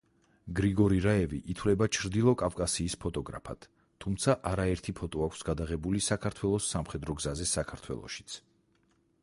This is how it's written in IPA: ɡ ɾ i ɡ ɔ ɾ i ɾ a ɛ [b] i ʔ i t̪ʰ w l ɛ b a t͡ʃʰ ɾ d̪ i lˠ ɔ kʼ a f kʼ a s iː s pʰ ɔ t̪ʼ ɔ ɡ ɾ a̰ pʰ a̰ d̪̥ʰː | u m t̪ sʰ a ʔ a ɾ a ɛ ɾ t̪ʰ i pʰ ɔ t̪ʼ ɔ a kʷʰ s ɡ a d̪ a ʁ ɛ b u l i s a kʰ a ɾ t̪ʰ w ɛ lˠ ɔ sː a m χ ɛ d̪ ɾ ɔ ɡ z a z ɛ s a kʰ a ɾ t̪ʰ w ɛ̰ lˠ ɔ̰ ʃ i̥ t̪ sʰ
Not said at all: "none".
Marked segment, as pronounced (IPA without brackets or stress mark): v